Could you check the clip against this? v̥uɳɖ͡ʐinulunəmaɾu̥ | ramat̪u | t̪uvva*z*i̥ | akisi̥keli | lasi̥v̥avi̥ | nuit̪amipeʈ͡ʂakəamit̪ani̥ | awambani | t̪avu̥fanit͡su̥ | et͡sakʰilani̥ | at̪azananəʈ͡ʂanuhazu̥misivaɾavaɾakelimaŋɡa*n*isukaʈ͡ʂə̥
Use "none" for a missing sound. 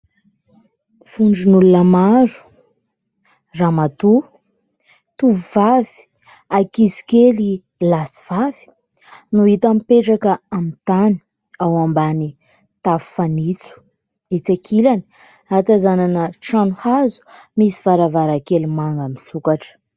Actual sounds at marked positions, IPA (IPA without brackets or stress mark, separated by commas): v, m